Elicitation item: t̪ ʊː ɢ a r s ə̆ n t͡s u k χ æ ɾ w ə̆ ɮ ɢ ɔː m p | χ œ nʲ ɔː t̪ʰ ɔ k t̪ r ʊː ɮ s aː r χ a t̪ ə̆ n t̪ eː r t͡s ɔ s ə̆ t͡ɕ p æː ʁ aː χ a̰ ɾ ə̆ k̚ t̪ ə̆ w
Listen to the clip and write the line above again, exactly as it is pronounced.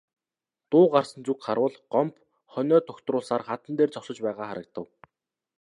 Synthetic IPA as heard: t̪ ʊː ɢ a r s ə̆ n t͡s u k χ a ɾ w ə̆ ɮ ɢ ɔ m p | χ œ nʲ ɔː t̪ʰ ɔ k t̪ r ʊː ɮ s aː r χ a t̪ ə̆ n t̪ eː r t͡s ɔ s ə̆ t͡ɕ p æː ʁ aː χ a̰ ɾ ə̆ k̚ t̪ ə̆ w